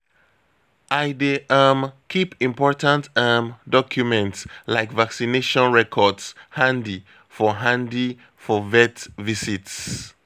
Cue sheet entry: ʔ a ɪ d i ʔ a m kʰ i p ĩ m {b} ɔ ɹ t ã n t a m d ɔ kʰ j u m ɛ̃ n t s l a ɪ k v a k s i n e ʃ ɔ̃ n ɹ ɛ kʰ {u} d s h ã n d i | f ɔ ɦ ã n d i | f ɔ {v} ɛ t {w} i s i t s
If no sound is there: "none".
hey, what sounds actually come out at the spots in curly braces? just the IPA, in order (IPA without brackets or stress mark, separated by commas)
p, ɔ, v, v